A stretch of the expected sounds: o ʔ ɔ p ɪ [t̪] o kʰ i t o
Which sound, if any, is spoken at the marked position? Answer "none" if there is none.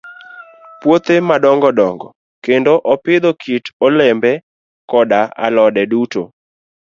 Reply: d̪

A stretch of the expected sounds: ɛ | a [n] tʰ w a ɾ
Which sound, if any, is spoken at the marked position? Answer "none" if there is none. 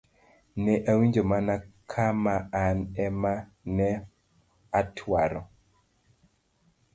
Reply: none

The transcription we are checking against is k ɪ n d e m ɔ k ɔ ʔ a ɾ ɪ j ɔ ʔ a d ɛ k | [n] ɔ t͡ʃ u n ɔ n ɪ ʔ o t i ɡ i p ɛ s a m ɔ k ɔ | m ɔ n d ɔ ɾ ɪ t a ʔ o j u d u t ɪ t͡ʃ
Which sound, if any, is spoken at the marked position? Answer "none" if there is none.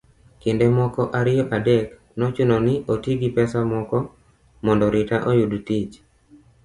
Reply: n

